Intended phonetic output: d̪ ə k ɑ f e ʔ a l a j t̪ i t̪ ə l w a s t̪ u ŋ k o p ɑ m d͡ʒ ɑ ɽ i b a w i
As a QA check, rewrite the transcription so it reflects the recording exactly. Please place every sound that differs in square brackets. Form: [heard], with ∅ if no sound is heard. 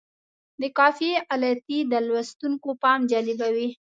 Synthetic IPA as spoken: d̪ ə k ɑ f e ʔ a l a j t̪ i [d̪] ə l w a s t̪ u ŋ k o p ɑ m d͡ʒ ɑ [l] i b a w i